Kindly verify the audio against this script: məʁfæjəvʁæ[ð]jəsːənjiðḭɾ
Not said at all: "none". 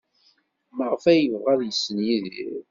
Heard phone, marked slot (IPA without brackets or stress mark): ð